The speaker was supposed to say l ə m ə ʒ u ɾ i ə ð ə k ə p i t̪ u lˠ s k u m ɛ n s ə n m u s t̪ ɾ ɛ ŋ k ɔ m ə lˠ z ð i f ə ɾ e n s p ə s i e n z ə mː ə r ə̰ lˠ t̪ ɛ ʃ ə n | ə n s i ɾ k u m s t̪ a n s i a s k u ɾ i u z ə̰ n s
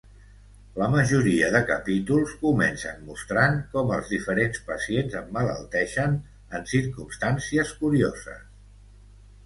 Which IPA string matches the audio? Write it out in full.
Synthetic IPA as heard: l ə m ə ʒ u ɾ i ə ð ə k ə p i t̪ u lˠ s k u m ɛ n s ə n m u s t̪ ɾ a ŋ k ɔ m ə lˠ z ð i f ə ɾ e n s p ə s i e n z ə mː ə l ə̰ lˠ t̪ ɛ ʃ ə n | ə n s i ɾ k u m s t̪ a n s i ə s k u ɾ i o z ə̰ s